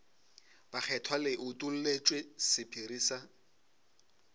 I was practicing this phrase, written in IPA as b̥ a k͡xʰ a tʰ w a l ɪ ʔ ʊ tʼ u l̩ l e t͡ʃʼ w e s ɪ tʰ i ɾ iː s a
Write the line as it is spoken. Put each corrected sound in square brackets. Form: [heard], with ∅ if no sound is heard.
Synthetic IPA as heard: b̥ a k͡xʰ [ɛ] tʰ w a l ɪ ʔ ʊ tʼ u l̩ l e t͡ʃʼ w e s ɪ [pʰ] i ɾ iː s a